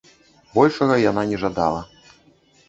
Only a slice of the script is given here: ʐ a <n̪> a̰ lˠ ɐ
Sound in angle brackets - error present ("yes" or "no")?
yes